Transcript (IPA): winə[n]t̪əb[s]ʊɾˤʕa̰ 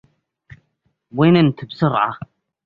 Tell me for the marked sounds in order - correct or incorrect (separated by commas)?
correct, correct